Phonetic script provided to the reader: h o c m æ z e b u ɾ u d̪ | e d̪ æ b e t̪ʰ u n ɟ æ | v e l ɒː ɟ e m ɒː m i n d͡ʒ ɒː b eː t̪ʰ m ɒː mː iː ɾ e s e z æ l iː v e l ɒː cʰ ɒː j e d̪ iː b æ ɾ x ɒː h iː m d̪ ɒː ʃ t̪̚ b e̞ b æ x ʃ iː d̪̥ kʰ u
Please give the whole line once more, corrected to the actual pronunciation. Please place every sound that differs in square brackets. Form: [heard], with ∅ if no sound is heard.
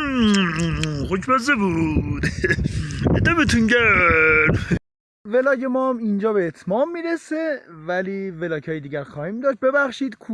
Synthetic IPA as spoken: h o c m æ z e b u ɾ u d̪ | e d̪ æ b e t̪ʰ u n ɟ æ | v e l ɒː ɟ e m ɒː m i n d͡ʒ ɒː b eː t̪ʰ m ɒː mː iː ɾ e s e [v] æ l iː v e l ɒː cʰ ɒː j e d̪ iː [ɟ] æ ɾ x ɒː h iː m d̪ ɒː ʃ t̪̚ b e̞ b æ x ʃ iː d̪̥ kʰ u